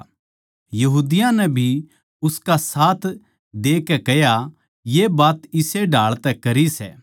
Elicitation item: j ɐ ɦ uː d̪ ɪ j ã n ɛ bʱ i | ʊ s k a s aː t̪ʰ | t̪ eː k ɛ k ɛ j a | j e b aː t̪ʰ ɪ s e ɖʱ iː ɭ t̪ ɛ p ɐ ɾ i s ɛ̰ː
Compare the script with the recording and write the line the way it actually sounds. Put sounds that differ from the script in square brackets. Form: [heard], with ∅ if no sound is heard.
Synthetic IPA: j ɐ ɦ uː d̪ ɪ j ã n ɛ bʱ i | ʊ s k a s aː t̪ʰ | [d̪] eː k ɛ k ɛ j a | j e b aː [t̪] ɪ s e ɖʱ [aː] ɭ t̪ ɛ [k] ɐ ɾ i s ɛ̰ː